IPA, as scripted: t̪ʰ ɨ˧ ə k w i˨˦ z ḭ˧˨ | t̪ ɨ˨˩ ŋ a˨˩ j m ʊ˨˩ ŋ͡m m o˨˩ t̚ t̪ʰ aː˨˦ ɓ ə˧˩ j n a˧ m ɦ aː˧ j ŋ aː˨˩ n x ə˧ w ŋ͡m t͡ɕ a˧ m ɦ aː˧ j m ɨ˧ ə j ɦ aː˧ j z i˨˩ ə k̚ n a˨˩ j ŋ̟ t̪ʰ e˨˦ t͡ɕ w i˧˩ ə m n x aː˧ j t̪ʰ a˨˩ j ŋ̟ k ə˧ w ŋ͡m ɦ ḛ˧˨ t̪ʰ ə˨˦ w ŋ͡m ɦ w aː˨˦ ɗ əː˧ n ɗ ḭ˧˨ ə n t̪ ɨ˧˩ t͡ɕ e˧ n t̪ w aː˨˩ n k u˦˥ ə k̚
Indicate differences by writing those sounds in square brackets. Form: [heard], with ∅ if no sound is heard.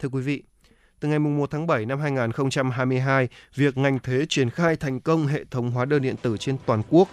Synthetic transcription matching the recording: t̪ʰ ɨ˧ ə k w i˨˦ [v] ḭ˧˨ | t̪ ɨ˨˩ ŋ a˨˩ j m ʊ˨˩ ŋ͡m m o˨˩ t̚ t̪ʰ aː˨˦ ɓ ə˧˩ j n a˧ m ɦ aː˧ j ŋ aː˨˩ n x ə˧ w ŋ͡m t͡ɕ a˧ m ɦ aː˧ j m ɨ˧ ə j ɦ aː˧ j [v] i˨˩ ə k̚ [ŋ] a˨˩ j ŋ̟ t̪ʰ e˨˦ t͡ɕ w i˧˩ ə [∅] n x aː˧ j t̪ʰ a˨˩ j ŋ̟ k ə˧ w ŋ͡m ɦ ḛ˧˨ t̪ʰ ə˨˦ w ŋ͡m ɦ w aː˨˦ ɗ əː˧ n ɗ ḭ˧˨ ə n t̪ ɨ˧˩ t͡ɕ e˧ n t̪ w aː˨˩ n k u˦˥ ə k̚